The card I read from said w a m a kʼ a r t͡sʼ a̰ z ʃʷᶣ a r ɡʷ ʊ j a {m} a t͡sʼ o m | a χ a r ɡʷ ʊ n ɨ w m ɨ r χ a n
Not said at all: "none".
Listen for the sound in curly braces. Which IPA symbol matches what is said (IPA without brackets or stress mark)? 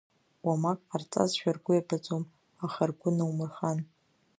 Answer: b